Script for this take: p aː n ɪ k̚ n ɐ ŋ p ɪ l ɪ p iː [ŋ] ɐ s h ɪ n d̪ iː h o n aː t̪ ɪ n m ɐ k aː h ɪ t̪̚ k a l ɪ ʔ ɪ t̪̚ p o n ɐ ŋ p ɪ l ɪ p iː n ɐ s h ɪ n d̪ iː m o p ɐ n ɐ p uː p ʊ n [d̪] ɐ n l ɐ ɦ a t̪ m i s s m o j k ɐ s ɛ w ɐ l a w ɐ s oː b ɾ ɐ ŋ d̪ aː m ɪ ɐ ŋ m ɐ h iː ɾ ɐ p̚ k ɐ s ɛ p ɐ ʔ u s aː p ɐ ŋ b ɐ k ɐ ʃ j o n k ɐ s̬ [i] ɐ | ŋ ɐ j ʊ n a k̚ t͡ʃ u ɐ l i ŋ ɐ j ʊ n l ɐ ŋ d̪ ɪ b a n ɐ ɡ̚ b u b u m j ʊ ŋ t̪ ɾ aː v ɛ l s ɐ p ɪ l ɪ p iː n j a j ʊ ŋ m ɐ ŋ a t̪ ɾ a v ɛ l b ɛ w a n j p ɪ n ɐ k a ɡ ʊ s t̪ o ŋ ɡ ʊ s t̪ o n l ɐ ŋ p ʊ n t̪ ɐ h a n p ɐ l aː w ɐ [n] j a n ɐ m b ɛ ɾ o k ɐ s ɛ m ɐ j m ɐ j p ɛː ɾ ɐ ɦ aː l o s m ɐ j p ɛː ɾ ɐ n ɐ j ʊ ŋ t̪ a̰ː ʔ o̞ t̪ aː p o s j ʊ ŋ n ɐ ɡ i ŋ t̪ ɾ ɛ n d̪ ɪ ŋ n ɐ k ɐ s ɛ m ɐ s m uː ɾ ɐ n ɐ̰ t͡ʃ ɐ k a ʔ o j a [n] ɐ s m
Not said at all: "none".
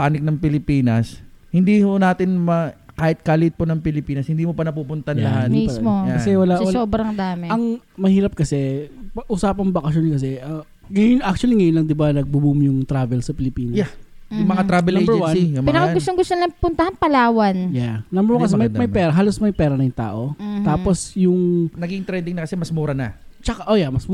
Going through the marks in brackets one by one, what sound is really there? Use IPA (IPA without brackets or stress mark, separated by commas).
n, t̪, ɛ, n, m